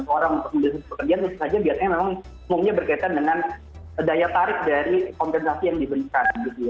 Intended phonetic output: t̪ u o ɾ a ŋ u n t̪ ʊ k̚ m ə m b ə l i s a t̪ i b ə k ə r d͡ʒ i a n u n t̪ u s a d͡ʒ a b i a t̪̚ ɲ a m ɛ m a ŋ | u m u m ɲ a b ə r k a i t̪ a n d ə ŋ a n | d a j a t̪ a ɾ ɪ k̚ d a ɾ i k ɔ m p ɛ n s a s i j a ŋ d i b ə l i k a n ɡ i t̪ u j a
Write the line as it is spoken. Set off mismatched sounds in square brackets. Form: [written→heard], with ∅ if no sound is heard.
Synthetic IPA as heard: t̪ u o ɾ a ŋ u n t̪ ʊ k̚ m ə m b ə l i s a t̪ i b ə k ə r d͡ʒ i a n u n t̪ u s a d͡ʒ a b i a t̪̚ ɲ a m [ɛ→e] m a ŋ | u m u m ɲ a b ə r k a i t̪ a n d ə ŋ a n | d a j a t̪ a ɾ ɪ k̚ d a ɾ i k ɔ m p ɛ n s a s i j a ŋ d i b ə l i k a n ɡ i t̪ u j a